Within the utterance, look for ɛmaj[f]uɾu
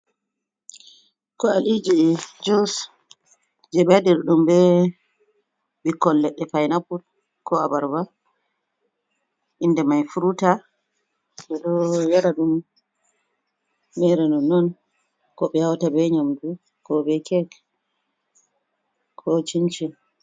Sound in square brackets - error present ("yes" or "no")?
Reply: no